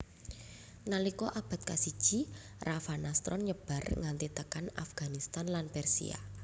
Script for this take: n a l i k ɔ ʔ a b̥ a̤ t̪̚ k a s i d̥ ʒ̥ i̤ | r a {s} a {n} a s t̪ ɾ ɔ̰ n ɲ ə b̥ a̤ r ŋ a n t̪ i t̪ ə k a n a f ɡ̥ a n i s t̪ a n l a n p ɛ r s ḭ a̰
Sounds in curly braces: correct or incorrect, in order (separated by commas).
incorrect, correct